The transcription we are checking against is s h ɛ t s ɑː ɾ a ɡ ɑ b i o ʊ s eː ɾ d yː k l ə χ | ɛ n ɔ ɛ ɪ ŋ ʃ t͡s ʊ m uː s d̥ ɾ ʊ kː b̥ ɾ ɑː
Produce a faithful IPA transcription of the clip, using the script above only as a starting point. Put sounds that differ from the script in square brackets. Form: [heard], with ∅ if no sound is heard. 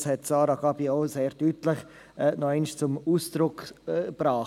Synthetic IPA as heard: s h ɛ t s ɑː ɾ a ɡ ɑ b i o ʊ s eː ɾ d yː [t] l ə χ | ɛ n ɔ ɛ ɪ [n] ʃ t͡s ʊ m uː s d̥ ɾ ʊ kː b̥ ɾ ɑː